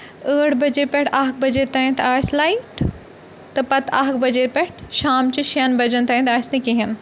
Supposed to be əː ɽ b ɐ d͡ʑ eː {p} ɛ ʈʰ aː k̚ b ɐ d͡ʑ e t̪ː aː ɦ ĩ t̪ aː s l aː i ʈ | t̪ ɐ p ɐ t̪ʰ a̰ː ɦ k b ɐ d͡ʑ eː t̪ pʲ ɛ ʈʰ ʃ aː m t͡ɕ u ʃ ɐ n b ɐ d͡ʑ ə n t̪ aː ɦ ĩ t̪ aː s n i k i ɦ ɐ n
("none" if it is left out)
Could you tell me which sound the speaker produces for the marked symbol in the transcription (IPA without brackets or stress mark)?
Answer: p